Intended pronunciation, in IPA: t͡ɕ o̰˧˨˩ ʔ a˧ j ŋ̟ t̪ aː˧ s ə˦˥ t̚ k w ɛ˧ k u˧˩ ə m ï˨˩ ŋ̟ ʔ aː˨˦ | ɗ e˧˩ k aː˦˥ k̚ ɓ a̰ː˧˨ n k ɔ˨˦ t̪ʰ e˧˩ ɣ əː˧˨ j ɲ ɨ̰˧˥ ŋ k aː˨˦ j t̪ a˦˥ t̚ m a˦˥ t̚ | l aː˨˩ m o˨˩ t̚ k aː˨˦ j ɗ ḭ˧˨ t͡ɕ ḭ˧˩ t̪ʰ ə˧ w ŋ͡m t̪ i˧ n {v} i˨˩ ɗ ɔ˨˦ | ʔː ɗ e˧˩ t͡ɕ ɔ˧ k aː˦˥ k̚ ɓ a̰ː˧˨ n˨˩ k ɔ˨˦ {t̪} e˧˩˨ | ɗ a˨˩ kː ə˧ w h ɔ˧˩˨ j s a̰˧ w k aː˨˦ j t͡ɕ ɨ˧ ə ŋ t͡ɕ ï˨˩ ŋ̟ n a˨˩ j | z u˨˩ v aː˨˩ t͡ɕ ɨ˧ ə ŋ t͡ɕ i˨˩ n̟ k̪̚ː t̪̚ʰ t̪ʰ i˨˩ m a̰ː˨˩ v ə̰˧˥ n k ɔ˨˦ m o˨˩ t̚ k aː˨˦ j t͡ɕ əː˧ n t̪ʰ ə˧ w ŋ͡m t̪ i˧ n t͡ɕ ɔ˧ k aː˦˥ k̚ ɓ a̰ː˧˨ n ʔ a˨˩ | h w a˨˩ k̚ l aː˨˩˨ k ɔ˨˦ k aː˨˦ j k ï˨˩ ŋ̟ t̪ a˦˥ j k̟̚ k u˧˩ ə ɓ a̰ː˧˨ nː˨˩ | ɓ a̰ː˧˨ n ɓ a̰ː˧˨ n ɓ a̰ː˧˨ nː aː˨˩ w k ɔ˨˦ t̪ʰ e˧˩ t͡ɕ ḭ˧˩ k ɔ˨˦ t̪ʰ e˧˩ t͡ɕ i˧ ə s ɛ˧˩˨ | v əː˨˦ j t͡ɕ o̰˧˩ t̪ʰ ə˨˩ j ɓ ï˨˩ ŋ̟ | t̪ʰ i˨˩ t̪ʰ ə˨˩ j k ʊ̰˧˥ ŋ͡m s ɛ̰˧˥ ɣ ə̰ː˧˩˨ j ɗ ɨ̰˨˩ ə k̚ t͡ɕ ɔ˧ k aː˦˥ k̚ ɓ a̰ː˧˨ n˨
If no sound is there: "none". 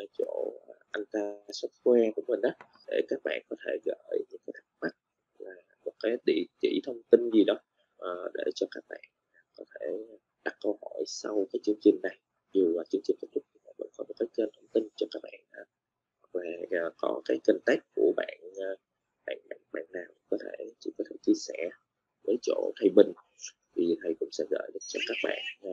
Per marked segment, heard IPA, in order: z, t̪ʰ

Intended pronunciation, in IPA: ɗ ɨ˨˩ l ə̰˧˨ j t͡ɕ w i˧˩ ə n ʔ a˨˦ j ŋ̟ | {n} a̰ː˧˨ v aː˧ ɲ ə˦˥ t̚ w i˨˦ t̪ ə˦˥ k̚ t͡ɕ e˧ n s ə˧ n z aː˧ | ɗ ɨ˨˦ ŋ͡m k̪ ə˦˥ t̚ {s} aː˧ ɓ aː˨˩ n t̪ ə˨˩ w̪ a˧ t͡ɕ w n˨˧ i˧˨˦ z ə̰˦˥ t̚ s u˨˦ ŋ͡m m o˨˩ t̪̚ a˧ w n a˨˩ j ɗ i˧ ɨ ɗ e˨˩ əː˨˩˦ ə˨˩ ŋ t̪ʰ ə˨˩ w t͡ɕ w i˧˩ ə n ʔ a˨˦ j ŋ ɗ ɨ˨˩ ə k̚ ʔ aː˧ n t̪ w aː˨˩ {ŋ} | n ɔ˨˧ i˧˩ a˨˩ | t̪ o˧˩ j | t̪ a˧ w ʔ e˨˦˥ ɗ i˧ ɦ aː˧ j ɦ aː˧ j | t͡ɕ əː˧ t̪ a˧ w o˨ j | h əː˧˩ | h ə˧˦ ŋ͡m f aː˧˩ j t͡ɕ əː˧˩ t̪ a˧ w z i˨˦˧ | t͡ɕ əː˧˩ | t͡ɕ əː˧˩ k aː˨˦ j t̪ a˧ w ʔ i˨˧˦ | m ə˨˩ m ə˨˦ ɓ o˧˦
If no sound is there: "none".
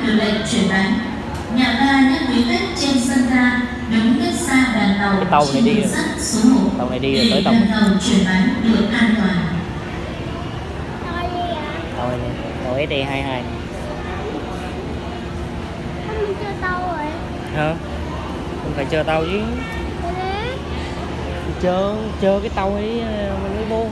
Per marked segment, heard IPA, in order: ɲ, s, n

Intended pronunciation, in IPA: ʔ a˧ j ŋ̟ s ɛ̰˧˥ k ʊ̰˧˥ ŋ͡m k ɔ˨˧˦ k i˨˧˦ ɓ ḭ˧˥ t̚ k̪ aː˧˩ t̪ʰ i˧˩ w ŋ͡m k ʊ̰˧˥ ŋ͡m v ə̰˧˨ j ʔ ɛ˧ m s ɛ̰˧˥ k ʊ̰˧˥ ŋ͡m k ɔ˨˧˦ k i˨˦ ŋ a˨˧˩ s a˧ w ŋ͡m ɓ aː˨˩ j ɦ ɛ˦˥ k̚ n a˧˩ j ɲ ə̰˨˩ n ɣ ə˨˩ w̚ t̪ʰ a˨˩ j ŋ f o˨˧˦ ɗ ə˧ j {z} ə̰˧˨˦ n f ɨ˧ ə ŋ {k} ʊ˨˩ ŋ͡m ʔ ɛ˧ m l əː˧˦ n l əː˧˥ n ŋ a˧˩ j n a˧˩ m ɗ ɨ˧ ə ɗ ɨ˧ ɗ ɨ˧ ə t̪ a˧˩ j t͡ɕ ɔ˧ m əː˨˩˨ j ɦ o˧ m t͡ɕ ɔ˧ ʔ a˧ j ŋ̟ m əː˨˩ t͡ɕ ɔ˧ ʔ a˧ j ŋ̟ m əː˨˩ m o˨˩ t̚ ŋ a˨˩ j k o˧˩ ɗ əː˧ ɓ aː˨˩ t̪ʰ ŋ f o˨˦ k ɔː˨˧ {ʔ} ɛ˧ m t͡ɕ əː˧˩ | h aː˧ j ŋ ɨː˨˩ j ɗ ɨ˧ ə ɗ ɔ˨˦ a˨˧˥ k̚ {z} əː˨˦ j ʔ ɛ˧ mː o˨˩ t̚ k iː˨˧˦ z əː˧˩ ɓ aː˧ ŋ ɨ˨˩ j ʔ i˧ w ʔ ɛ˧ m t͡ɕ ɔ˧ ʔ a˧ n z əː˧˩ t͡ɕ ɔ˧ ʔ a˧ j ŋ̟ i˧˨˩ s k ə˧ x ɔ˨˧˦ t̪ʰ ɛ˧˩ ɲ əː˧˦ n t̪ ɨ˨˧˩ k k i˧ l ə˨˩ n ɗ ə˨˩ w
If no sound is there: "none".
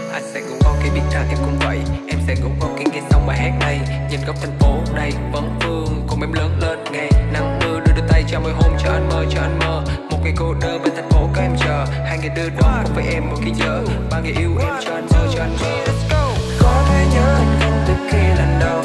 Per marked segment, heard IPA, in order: v, k, ʔ, v

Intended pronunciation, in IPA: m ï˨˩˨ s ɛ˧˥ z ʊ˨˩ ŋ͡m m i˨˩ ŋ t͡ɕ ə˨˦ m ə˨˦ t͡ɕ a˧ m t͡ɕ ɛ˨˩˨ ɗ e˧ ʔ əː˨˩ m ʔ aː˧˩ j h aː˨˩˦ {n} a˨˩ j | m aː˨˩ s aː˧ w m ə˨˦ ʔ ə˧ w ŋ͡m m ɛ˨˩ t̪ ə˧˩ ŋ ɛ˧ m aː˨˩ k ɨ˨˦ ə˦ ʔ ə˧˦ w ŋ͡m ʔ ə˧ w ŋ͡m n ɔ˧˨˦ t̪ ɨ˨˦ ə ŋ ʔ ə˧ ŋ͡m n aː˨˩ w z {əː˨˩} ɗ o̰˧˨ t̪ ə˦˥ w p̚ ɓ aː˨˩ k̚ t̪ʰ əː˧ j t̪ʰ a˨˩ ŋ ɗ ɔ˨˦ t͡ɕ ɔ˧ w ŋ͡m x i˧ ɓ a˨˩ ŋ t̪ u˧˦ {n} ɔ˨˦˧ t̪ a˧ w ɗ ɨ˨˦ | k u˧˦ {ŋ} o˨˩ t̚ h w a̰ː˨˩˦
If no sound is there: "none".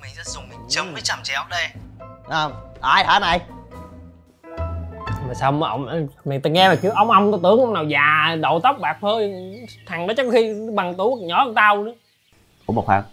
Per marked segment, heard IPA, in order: n, aː˨˩, ɲ, m

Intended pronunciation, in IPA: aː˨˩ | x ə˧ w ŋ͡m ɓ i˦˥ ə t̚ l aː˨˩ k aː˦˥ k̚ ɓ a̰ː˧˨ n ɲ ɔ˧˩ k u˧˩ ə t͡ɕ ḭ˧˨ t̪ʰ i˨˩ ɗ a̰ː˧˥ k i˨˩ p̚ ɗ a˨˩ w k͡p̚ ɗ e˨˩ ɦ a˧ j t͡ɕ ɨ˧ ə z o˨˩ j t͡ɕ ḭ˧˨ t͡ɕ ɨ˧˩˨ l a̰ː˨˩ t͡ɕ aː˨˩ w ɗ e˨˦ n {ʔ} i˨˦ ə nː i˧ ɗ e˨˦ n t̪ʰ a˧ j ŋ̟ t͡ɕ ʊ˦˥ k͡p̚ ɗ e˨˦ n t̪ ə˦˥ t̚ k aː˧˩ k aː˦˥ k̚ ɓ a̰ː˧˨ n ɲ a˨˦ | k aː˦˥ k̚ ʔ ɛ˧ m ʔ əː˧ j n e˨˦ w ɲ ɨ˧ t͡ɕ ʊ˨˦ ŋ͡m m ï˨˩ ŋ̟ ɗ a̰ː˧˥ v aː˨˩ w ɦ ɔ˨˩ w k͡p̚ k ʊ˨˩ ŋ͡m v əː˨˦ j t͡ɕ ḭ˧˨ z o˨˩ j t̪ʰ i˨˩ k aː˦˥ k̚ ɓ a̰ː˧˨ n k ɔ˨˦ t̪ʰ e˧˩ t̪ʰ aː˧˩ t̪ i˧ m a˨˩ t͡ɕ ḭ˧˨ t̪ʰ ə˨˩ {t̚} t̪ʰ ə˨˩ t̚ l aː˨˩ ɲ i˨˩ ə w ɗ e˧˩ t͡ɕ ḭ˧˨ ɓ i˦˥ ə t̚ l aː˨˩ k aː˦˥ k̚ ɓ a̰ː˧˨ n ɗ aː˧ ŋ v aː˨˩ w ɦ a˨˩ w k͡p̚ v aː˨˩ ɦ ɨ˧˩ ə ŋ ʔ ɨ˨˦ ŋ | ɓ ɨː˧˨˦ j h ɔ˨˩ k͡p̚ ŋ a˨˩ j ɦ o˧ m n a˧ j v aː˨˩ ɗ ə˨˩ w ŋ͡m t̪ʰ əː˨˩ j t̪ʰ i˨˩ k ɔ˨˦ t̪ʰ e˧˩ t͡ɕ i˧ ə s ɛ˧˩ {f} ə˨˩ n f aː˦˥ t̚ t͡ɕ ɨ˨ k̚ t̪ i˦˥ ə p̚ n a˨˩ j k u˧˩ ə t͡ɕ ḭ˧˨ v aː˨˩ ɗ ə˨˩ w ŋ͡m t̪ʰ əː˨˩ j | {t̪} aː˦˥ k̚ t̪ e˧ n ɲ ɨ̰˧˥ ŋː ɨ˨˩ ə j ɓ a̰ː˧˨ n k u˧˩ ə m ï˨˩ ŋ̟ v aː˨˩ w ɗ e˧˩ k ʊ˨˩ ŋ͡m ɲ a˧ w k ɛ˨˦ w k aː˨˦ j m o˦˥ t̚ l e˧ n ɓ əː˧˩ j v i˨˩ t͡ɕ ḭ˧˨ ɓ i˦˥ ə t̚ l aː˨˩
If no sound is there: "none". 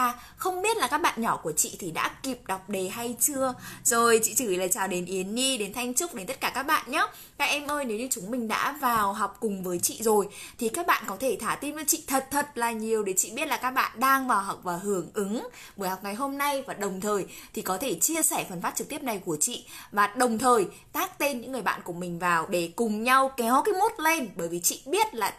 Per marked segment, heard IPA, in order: ʔ, t̚, f, t̪

